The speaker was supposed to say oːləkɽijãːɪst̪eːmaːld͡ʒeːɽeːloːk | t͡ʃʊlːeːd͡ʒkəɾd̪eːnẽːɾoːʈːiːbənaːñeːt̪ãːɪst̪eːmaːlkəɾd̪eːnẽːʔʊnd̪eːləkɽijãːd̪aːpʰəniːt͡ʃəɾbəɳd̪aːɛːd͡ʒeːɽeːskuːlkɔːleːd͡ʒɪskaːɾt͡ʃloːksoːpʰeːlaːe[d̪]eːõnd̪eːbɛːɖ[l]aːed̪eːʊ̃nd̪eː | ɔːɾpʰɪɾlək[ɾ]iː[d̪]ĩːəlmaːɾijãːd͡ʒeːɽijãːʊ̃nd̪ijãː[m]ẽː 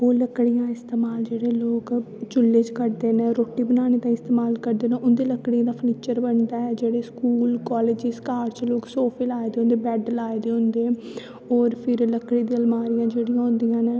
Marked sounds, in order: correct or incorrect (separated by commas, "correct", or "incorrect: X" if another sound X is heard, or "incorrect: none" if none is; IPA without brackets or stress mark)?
correct, correct, incorrect: ɽ, correct, incorrect: n